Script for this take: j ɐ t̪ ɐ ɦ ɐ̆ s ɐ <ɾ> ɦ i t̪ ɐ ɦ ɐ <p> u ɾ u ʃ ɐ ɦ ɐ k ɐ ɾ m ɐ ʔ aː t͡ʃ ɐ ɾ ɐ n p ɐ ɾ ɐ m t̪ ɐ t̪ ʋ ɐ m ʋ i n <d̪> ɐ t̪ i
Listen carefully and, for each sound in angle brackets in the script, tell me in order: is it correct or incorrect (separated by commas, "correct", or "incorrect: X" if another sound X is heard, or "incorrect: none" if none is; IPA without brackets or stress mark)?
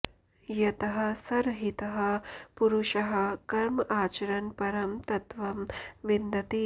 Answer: correct, correct, correct